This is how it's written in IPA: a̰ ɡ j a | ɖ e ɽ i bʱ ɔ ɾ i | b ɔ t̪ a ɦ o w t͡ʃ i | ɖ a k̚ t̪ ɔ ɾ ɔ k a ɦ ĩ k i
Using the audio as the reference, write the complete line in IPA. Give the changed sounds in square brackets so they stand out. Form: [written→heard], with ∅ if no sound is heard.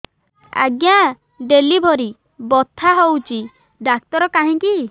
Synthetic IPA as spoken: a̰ ɡ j a | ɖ e [ɽ→l] i bʱ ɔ ɾ i | b ɔ [t̪→t̪ʰ] a ɦ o w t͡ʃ i | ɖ a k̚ t̪ ɔ ɾ ɔ k a ɦ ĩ k i